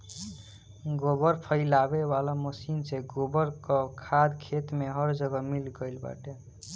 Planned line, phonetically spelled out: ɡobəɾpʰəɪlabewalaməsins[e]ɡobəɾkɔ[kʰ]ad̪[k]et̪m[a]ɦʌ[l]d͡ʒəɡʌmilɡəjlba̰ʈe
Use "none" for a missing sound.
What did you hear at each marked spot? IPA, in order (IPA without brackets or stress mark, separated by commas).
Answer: e, kʰ, kʰ, e, ɾ